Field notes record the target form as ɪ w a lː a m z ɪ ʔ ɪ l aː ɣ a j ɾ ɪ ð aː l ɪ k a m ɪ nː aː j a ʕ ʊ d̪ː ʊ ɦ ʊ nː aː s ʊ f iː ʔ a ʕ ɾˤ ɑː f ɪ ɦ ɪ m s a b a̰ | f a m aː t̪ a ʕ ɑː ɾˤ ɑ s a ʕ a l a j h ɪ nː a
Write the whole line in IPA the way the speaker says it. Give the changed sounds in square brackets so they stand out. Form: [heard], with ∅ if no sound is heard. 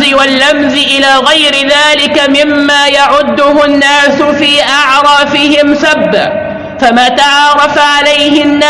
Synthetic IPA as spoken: ɪ w a lː a m z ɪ ʔ ɪ l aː ɣ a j ɾ ɪ ð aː l ɪ k a m ɪ [mː] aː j a ʕ ʊ d̪ː ʊ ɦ ʊ nː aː s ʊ f iː ʔ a ʕ ɾˤ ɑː f ɪ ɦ ɪ m s a [bː] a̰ | f a m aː t̪ a ʕ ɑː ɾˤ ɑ [f] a ʕ a l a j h ɪ nː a